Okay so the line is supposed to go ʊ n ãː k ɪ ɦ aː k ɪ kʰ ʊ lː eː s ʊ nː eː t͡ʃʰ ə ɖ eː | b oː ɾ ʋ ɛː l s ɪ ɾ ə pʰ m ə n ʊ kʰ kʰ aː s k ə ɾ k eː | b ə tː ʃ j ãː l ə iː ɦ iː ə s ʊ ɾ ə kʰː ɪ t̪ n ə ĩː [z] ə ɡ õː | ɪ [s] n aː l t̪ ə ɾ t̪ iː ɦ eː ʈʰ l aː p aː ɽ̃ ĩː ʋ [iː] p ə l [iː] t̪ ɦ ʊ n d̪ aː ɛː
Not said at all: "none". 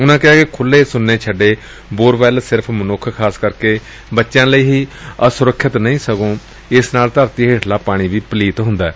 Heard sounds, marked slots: s, s, iː, iː

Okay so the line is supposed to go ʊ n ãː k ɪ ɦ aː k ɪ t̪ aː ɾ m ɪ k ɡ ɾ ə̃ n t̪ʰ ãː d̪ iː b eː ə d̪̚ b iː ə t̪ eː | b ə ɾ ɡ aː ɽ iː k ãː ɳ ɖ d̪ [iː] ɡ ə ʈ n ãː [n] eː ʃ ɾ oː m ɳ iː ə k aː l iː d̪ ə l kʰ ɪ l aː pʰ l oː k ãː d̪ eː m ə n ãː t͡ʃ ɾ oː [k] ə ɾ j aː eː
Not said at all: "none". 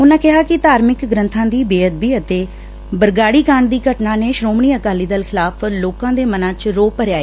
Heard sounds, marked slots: iː, n, p

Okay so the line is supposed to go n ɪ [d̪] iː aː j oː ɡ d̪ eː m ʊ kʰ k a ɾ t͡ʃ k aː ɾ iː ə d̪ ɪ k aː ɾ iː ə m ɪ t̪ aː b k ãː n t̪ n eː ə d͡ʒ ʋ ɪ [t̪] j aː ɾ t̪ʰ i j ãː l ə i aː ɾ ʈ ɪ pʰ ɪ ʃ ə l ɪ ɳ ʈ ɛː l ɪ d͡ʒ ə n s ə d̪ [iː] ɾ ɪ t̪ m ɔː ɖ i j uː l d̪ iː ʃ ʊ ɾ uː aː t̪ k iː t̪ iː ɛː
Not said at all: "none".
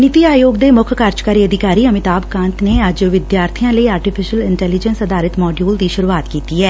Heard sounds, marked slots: t̪, d̪, aː

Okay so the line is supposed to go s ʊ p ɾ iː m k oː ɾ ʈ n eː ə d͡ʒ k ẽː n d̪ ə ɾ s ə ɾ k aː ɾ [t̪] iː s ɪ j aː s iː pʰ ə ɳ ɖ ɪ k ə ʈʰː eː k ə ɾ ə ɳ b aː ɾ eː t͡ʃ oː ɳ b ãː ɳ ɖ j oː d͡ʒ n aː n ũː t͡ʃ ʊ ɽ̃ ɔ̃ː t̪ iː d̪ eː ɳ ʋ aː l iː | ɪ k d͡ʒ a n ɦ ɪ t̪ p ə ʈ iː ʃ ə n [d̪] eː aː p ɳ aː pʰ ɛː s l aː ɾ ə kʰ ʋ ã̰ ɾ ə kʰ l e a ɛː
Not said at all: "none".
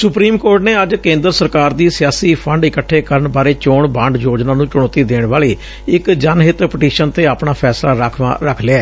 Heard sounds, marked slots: d̪, t̪

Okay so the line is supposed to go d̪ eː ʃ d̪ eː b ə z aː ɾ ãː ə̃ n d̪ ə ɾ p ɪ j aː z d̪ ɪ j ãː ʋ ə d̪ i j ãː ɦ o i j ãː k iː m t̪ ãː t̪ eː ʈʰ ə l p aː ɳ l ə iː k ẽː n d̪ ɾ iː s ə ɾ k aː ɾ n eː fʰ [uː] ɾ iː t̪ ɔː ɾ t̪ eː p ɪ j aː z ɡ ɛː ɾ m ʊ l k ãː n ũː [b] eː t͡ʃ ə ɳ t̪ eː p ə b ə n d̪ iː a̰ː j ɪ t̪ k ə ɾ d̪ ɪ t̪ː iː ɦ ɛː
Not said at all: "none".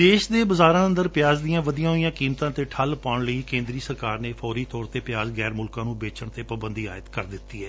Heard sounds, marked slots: ɔː, b

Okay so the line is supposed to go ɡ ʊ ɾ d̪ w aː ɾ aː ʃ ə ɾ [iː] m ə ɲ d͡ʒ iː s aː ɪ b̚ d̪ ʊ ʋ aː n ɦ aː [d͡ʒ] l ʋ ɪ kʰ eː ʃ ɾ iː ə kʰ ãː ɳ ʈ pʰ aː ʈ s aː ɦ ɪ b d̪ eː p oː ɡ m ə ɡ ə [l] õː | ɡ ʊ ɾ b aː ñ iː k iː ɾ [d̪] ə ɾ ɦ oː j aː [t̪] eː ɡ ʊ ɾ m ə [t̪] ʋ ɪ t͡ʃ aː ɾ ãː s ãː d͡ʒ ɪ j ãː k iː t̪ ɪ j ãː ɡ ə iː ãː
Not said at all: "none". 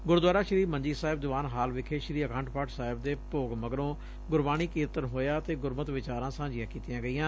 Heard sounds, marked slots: iː, none, ɾ, t̪, t̪, t̪

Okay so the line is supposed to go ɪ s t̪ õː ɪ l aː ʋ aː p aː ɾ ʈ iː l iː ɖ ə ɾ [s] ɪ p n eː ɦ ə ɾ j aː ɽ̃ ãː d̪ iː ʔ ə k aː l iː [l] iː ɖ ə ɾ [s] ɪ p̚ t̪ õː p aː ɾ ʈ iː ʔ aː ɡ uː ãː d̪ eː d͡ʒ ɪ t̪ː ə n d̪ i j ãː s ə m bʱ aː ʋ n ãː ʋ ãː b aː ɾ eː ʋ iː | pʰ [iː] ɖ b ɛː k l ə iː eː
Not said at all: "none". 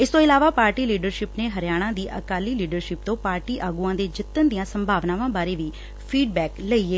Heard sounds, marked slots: ʃ, l, ʃ, iː

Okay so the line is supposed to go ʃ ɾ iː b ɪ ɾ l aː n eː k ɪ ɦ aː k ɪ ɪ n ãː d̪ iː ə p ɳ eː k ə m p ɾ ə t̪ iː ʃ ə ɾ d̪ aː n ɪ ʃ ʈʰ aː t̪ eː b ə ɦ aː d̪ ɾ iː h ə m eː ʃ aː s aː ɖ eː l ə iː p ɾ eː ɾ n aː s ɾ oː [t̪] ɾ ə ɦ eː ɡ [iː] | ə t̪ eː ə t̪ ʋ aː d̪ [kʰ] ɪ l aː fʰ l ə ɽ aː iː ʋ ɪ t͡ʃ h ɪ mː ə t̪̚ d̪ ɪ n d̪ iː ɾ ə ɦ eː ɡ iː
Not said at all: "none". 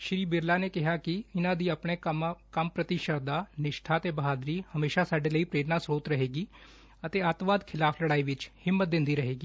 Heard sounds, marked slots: t̪, iː, kʰ

